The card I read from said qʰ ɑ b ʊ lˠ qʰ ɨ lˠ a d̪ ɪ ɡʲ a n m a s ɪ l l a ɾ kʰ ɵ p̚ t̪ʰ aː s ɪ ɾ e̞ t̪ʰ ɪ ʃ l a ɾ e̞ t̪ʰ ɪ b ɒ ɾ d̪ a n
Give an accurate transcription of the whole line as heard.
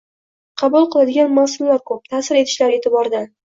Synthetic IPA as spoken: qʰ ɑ b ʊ lˠ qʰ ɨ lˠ a d̪ ɪ ɡʲ a n m a s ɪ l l a ɾ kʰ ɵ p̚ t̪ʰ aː s ɪ ɾ e̞ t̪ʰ ɪ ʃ l a ɾ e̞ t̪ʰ ɪ b ɒ ɾ d̪ a n